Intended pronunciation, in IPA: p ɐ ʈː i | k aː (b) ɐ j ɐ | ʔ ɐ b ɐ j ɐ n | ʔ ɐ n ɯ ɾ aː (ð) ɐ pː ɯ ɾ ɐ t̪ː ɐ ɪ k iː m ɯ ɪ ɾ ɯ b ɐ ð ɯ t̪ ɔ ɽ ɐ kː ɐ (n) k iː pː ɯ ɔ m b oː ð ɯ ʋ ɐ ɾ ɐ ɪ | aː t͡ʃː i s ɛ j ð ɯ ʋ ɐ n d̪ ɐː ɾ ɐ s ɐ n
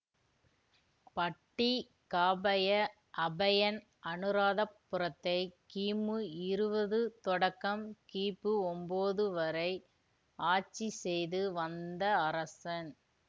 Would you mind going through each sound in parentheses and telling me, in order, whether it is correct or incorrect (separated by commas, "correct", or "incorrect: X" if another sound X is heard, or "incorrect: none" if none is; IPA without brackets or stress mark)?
correct, correct, incorrect: m